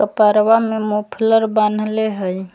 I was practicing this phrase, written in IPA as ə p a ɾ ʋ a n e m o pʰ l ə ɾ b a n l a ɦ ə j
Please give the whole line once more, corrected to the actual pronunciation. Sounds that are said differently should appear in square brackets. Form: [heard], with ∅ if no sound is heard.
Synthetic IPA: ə p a ɾ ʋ a [m] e m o pʰ l ə ɾ b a n l [e] ɦ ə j